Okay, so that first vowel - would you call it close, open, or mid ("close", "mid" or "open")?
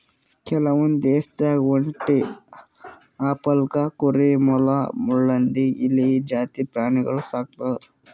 mid